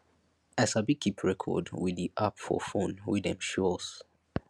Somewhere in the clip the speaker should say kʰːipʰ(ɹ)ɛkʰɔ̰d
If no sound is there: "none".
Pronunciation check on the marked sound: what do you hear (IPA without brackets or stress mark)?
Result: ɹ